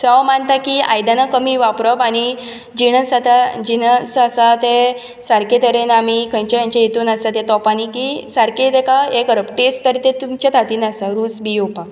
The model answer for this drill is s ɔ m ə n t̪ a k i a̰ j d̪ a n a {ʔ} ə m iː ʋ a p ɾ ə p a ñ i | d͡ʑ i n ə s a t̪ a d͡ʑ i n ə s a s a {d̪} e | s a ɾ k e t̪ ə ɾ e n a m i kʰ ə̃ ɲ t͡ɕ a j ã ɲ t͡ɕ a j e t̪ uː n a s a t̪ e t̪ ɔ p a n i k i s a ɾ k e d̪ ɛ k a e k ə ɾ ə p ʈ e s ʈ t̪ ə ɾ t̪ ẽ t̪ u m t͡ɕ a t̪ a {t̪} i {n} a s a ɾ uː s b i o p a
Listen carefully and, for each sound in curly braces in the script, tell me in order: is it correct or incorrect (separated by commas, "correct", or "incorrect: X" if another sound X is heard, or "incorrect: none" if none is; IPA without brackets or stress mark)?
incorrect: k, incorrect: t̪, correct, correct